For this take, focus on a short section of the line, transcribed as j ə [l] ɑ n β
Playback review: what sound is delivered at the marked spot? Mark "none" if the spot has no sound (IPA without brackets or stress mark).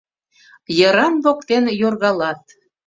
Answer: ɾ